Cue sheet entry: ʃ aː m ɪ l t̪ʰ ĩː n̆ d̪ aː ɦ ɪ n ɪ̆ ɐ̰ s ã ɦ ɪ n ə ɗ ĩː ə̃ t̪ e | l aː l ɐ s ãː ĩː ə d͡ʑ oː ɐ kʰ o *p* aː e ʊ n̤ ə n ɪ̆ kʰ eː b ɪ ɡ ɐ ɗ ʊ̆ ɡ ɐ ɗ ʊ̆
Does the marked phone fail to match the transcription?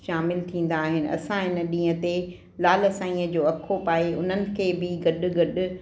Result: no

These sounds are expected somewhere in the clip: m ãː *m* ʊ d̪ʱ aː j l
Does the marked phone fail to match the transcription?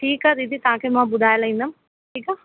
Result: yes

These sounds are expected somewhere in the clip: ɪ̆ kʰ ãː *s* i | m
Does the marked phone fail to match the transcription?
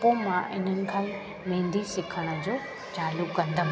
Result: yes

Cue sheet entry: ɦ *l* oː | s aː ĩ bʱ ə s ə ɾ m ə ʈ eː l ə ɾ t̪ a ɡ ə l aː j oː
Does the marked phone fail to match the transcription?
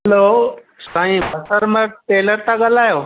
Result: no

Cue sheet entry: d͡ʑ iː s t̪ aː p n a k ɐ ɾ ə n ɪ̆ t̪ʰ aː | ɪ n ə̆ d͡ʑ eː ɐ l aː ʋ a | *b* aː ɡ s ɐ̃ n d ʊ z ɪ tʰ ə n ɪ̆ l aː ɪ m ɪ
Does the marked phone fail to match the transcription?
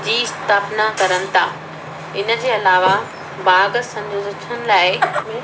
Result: no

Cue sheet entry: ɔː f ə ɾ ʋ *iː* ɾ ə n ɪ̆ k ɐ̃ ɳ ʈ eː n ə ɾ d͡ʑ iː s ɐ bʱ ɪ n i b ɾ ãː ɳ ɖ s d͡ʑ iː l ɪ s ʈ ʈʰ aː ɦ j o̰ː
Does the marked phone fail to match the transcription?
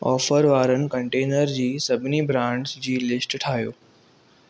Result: yes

